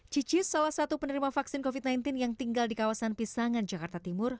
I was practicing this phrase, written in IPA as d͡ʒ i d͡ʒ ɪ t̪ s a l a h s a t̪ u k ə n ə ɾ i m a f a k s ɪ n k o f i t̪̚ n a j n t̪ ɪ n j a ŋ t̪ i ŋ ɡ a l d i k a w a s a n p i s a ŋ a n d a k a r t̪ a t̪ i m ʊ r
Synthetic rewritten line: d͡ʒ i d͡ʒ ɪ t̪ s a l a h s a t̪ u p ə n ə ɾ i m a f a k s ɪ n k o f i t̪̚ n a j n t̪ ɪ n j a ŋ t̪ i ŋ ɡ a l d i k a w a s a n p i s a ŋ a n d͡ʒ a k a r t̪ a t̪ i m ʊ r